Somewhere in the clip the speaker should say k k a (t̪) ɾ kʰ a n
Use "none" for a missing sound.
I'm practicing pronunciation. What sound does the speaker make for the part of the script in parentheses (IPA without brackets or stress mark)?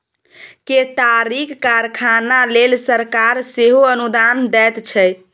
none